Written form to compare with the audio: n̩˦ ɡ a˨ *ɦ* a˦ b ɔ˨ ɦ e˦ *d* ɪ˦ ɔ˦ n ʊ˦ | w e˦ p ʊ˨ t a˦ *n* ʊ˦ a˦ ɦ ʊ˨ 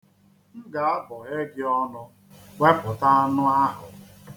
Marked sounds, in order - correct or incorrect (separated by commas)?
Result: incorrect, incorrect, correct